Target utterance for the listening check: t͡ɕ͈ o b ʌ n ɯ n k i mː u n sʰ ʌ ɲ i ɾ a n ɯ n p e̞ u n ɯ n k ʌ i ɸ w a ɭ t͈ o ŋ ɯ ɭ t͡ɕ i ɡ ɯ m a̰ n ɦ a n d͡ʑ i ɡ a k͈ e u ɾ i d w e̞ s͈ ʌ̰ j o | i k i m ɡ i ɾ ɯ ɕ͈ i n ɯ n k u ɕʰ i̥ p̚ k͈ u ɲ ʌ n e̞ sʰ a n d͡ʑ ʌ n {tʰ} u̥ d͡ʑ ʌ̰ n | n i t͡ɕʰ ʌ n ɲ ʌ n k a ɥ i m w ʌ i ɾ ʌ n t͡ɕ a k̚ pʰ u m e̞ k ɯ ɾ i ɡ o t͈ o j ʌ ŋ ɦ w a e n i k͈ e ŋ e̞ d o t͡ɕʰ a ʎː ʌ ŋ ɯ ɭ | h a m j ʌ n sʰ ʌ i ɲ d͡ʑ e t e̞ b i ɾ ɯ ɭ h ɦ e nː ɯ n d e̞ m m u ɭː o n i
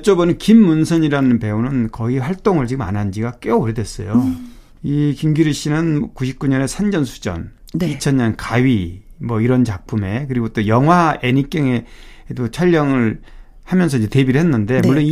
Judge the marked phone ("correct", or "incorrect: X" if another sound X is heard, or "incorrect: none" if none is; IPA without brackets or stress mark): incorrect: sʰ